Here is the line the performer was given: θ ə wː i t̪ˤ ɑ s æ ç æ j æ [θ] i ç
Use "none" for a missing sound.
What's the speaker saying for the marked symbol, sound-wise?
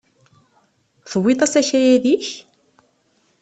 ð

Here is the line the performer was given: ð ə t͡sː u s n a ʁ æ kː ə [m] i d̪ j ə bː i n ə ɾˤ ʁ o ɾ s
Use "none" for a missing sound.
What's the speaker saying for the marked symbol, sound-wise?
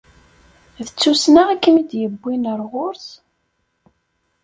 m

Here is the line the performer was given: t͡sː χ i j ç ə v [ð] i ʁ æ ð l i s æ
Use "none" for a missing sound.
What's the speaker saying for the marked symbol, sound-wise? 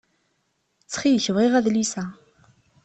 ʁ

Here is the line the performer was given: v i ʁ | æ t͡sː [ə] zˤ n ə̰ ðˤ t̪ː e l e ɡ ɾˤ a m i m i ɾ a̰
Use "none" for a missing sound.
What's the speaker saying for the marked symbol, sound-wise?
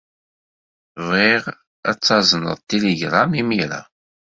ɑ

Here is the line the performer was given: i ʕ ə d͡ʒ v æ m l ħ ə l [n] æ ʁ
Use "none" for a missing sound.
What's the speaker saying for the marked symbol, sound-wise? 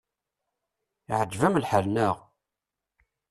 n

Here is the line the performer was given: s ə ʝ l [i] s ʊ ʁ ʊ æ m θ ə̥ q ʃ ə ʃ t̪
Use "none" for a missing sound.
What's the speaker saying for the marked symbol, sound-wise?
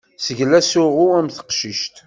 æ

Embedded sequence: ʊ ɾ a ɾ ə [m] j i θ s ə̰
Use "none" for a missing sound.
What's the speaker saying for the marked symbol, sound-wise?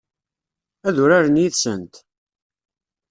n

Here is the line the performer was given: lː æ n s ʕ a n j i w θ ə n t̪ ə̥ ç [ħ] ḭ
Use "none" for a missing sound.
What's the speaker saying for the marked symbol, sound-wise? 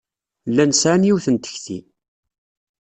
θ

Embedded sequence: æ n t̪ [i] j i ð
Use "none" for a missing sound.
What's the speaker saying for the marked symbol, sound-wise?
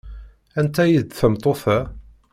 æ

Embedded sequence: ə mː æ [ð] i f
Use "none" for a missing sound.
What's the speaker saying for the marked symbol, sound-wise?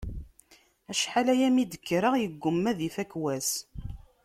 ð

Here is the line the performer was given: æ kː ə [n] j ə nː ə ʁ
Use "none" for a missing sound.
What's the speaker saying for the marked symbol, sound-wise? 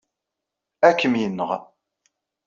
m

